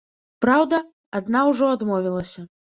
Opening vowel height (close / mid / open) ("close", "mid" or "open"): open